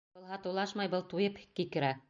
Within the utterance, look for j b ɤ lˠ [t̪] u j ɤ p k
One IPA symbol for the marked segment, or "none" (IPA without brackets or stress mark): t̪